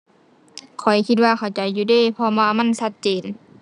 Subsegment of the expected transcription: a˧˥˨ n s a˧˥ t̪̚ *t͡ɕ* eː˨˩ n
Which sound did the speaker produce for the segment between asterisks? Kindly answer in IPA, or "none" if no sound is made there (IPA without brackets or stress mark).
t͡ɕ